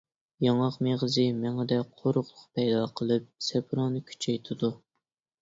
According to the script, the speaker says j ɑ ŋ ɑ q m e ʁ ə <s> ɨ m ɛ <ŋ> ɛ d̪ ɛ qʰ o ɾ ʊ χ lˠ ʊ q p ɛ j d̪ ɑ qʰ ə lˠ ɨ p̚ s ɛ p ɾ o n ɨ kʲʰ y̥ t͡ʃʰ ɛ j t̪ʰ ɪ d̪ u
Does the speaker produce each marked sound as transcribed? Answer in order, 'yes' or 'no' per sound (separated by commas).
no, yes